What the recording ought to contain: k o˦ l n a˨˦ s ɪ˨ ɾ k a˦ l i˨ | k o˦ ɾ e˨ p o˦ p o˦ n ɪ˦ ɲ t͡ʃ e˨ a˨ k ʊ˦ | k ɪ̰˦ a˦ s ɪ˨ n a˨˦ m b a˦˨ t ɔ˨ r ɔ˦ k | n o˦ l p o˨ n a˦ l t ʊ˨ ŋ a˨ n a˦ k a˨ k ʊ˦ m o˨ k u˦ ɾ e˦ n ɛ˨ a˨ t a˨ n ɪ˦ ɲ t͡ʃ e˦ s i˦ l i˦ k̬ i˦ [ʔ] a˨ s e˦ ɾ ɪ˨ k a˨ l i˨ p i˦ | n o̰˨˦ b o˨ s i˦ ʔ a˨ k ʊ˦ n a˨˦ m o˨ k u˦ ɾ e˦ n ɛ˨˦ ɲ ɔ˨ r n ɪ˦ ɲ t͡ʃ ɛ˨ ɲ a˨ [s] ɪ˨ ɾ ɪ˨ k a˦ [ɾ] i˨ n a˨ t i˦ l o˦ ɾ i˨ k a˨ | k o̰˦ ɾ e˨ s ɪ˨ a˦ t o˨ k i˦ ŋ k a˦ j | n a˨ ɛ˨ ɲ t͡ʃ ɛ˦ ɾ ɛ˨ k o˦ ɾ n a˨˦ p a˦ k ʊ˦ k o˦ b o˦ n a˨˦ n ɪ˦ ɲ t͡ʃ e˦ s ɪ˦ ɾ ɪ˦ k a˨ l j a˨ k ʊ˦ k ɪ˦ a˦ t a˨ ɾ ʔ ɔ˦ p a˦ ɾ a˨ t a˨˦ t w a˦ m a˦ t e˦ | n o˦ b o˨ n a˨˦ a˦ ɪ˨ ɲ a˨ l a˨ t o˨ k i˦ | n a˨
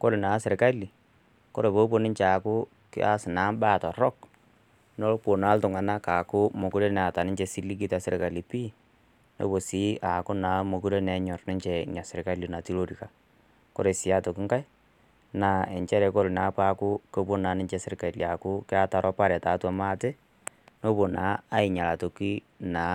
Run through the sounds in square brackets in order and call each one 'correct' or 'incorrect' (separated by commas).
incorrect, correct, incorrect